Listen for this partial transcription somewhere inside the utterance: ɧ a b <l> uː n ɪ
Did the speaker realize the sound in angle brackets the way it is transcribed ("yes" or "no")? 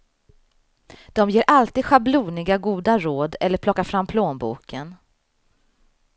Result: yes